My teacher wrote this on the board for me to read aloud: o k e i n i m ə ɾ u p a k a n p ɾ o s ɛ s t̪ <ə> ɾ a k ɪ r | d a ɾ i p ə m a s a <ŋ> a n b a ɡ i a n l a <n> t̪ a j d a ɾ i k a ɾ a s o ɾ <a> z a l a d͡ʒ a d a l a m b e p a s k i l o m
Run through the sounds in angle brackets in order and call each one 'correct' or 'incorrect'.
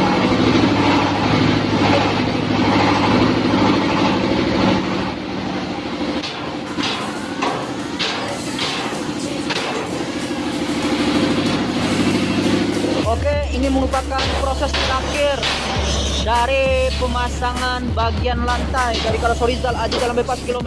correct, correct, correct, incorrect: i

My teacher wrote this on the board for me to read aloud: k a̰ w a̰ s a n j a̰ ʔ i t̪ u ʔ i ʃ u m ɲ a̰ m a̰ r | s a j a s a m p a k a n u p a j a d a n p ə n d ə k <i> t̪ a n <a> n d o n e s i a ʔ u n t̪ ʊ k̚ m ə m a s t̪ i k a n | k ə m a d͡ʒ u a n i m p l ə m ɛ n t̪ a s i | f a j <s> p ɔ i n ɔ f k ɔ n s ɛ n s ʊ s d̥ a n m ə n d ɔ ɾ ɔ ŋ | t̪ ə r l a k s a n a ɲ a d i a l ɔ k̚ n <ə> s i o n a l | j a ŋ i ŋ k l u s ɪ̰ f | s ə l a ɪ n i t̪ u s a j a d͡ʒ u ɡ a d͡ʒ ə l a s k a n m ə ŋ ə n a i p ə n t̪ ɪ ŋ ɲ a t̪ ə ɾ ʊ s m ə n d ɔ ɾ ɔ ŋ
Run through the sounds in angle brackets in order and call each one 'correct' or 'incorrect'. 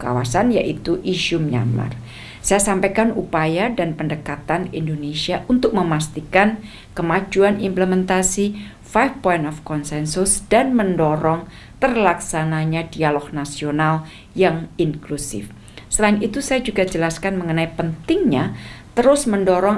incorrect: a, incorrect: i, incorrect: f, incorrect: a

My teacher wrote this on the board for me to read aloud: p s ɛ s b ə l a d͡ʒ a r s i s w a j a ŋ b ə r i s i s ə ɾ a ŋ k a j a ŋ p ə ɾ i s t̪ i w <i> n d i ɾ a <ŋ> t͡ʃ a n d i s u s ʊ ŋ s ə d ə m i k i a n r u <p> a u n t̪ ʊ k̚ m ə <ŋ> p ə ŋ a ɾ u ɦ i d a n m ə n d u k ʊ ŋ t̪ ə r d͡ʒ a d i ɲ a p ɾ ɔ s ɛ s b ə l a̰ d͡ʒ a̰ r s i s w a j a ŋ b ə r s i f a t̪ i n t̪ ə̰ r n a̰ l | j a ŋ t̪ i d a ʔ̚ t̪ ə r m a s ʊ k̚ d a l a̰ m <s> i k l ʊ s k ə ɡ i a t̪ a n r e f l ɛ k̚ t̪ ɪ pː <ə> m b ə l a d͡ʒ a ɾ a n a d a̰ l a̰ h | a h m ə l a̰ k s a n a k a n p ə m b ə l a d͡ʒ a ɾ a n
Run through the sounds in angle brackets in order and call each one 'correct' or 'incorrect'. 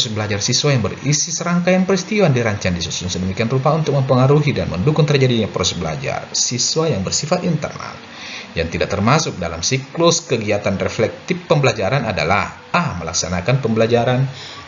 incorrect: a, incorrect: ɲ, correct, incorrect: m, correct, correct

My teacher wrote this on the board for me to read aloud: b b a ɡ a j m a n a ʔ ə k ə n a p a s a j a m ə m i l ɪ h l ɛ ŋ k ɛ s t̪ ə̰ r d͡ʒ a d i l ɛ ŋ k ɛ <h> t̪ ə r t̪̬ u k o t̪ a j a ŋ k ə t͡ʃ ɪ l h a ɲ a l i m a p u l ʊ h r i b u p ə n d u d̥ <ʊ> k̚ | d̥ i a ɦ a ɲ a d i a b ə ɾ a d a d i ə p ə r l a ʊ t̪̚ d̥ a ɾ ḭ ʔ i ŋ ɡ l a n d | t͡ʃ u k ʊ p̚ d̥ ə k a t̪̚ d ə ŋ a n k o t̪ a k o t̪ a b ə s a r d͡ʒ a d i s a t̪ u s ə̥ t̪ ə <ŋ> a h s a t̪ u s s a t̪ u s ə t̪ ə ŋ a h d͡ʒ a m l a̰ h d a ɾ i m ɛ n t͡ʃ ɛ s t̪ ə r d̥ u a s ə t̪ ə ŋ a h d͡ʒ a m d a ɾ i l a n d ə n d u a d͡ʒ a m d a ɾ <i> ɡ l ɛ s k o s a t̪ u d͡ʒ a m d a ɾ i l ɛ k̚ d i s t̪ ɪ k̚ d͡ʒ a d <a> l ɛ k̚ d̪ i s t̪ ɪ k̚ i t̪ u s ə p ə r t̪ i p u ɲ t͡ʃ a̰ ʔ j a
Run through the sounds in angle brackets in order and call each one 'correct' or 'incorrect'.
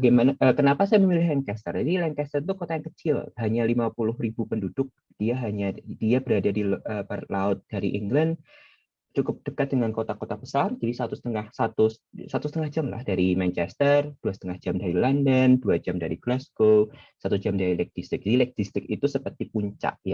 incorrect: s, correct, correct, correct, incorrect: i

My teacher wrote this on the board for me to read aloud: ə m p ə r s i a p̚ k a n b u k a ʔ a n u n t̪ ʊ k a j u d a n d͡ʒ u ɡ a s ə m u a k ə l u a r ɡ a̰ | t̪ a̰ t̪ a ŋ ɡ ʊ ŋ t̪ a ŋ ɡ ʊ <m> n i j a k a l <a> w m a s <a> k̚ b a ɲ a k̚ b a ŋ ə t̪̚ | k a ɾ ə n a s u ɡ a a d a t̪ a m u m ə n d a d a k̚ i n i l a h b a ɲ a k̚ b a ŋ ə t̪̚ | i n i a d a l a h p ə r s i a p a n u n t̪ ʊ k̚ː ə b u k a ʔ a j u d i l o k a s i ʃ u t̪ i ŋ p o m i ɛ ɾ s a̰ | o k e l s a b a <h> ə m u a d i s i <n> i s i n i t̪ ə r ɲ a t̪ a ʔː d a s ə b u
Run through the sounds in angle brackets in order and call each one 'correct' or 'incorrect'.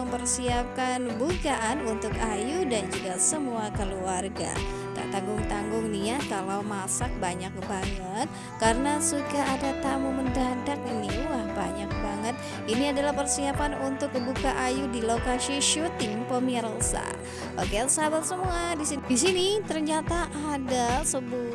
incorrect: ŋ, correct, correct, incorrect: s, incorrect: d

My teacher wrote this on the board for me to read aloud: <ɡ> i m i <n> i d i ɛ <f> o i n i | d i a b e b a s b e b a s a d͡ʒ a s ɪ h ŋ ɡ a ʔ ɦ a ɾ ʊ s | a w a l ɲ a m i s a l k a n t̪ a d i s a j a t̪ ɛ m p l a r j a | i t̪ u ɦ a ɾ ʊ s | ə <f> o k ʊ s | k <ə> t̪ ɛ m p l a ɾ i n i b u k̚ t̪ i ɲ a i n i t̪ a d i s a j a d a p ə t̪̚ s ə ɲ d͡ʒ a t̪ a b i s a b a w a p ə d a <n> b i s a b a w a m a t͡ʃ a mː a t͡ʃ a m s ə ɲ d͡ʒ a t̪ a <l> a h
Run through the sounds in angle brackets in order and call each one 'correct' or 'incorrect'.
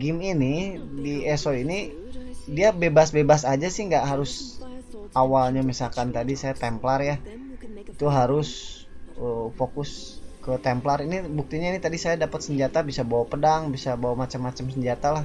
correct, correct, incorrect: s, correct, correct, incorrect: ŋ, correct

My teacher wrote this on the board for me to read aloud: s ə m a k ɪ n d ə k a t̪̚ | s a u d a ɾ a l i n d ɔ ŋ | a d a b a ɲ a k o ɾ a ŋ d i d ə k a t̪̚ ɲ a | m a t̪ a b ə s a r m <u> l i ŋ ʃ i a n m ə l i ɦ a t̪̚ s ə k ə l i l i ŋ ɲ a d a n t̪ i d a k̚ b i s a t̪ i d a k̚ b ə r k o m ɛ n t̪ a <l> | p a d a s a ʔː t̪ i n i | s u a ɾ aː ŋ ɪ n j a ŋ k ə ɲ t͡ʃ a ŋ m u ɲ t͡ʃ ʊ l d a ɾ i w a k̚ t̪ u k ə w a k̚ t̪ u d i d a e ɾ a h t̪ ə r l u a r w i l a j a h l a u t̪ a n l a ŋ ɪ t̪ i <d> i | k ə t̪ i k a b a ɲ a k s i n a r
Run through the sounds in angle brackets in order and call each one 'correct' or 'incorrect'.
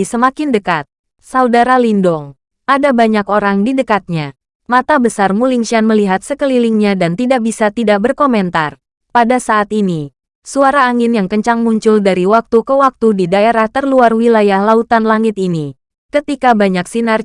correct, incorrect: r, incorrect: n

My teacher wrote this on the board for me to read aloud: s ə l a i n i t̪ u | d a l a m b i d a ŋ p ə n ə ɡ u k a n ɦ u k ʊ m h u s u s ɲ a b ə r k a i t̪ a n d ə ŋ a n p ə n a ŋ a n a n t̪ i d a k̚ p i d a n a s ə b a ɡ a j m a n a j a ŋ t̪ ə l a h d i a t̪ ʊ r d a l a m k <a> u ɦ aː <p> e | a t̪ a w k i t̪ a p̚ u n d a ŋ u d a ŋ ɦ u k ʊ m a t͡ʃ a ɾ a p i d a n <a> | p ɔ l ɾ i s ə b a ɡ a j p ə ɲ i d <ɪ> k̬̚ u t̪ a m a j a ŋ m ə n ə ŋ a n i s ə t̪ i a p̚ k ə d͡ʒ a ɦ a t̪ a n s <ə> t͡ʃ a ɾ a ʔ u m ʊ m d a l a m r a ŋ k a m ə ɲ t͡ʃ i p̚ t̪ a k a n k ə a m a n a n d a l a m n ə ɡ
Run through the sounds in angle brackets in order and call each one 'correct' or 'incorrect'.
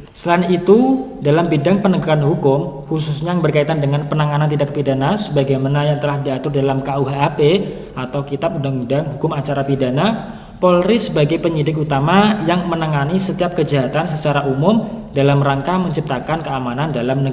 correct, correct, correct, correct, correct

